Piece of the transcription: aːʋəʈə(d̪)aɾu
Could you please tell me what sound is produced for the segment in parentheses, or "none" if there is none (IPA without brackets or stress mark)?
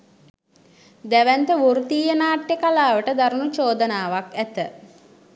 d̪